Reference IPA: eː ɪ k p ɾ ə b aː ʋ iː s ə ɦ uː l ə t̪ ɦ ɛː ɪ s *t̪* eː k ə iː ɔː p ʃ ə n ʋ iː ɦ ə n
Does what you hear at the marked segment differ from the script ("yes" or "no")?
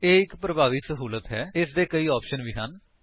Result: yes